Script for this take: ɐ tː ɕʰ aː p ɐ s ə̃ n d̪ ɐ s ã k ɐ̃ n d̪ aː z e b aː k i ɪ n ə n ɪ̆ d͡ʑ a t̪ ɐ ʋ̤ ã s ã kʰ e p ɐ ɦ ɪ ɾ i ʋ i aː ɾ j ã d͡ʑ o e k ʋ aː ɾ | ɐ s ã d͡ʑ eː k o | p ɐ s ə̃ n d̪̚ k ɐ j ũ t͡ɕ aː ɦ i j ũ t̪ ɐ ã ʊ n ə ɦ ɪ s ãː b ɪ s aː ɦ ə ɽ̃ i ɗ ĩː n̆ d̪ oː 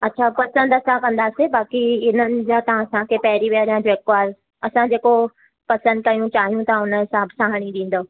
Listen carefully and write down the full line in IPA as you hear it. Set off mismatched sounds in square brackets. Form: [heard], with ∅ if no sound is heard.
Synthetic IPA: ɐ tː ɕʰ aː p ɐ s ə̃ n d̪ ɐ s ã k ɐ̃ n d̪ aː [s] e b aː k i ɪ n ə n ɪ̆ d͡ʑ a t̪ ɐ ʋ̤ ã s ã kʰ e p ɐ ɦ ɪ ɾ i ʋ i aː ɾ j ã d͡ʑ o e k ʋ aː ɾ | ɐ s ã d͡ʑ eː k o | p ɐ s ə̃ n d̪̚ k ɐ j ũ t͡ɕ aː ɦ i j ũ t̪ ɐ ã ʊ n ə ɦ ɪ s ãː b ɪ s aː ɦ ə ɽ̃ i ɗ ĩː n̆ d̪ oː